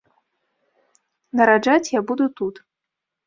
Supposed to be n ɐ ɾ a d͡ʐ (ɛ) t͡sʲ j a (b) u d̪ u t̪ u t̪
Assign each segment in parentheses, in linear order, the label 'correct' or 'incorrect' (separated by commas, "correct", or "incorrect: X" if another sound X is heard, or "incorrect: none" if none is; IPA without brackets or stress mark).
incorrect: a, correct